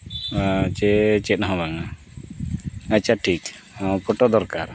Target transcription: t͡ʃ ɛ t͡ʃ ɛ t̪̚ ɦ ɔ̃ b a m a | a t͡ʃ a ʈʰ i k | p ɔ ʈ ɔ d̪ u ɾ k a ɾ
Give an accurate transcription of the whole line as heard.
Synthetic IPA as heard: t͡ʃ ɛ t͡ʃ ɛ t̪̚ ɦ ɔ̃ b a ŋ a | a t͡ʃ a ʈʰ i k | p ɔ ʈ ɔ d̪ ɔ ɾ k a ɾ

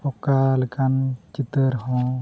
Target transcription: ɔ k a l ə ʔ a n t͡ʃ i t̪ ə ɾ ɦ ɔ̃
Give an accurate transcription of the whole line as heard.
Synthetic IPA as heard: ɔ k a l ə k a n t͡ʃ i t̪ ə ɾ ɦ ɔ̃

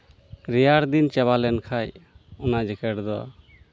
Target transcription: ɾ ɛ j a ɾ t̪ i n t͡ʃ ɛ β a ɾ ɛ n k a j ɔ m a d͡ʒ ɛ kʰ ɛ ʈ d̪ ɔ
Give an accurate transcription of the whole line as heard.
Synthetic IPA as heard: ɾ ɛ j a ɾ d̪ i n t͡ʃ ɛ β a l ɛ n kʰ a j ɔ n a d͡ʒ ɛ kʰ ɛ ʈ d̪ ɔ

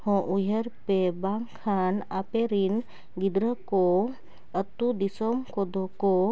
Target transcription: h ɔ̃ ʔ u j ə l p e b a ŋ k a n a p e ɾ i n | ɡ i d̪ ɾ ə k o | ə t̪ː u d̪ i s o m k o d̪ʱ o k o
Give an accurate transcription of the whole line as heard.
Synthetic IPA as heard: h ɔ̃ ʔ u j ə ɾ p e b a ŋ kʰ a n a p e ɾ i n | ɡ i d̪ ɾ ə k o | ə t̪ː u d̪ i s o m k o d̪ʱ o k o

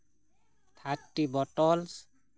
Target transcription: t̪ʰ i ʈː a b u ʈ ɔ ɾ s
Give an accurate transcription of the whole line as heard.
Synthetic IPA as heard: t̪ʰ a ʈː i b ɔ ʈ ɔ l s

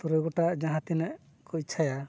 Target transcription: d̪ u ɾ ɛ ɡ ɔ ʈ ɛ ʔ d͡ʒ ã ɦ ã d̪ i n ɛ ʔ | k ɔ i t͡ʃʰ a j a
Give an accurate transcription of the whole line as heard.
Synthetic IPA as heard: t̪ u ɾ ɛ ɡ ɔ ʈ a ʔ d͡ʒ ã ɦ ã t̪ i n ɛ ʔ | k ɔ i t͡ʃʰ a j a

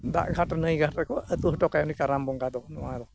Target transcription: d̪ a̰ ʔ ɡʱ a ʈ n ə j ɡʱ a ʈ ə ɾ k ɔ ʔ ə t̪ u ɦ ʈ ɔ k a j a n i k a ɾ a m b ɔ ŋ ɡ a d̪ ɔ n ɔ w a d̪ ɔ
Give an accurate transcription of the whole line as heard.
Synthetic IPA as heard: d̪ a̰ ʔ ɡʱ a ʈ n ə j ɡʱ a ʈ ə k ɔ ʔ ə t̪ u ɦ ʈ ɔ k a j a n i k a ɾ a m b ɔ ŋ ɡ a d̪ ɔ n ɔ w a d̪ ɔ

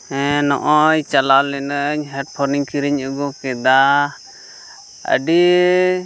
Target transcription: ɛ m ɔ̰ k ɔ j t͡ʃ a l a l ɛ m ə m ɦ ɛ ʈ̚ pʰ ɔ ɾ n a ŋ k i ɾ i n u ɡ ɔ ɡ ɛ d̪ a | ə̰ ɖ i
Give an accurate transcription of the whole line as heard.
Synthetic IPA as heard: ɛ n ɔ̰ ʔ ɔ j t͡ʃ a l a l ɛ n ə ɲ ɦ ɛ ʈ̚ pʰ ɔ ɾ n i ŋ k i ɾ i ɲ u ɡ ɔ k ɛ d̪ a | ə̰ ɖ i

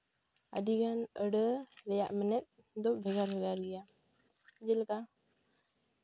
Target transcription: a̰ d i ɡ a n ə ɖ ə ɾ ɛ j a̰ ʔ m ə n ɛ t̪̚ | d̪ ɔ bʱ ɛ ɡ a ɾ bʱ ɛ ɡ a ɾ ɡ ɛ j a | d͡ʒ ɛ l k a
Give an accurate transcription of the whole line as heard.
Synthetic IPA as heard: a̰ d i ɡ a n ə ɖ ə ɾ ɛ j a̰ ʔ m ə n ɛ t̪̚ | d̪ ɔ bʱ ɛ ɡ a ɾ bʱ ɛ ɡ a ɾ ɡ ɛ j a | d͡ʒ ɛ l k a

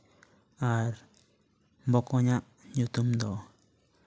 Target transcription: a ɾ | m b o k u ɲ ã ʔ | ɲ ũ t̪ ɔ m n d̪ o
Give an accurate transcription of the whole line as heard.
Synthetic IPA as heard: a ɾ | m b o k o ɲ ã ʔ | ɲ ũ t̪ u m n d̪ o

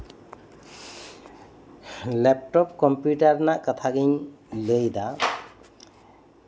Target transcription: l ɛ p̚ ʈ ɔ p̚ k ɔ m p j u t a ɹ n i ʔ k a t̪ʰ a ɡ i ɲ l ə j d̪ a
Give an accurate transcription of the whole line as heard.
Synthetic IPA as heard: l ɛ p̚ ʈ ɔ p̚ k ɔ m p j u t a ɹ n a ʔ k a t̪ʰ a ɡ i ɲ l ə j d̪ a

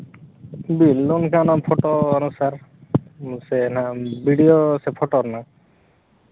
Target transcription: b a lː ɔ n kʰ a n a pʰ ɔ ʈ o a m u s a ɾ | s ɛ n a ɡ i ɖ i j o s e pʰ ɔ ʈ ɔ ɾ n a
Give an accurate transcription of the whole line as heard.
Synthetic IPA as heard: b i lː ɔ n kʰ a n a pʰ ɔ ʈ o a n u s a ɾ | s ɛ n a b i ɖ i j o s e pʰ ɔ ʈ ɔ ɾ n a

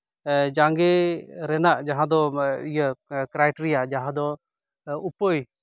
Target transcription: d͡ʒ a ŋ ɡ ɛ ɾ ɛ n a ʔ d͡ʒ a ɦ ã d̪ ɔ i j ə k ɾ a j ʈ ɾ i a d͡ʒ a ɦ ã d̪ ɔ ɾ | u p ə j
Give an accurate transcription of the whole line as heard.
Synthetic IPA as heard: d͡ʒ a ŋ ɡ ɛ ɾ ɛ n a ʔ d͡ʒ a ɦ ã d̪ ɔ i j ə k ɾ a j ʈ ɾ i a d͡ʒ a ɦ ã d̪ ɔ | u p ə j

